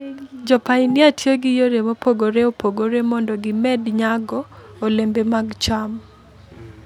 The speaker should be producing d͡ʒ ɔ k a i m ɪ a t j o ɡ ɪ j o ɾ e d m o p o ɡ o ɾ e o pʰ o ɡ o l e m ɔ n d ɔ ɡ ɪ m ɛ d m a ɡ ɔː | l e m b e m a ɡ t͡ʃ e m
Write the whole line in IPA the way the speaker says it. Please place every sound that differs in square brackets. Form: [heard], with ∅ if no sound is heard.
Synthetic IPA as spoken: d͡ʒ ɔ [p] a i [n] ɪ a t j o ɡ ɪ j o ɾ e [∅] m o p o ɡ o ɾ e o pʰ o ɡ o [ɾ] e m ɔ n d ɔ ɡ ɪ m ɛ d [ɲ] a ɡ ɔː | l e m b e m a ɡ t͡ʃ [a] m